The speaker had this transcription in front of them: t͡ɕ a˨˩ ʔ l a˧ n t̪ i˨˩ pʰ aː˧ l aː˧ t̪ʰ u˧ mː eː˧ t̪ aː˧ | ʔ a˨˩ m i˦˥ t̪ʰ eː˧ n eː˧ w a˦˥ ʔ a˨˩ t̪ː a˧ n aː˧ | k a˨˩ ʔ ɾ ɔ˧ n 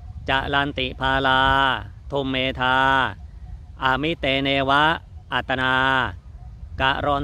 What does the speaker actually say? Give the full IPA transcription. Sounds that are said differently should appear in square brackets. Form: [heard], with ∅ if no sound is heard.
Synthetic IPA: t͡ɕ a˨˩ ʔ l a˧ n t̪ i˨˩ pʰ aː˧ l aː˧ t̪ʰ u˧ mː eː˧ [t̪ʰ] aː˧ | ʔ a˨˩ m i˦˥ [t̪] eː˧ n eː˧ w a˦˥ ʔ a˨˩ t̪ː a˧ n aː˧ | k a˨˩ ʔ ɾ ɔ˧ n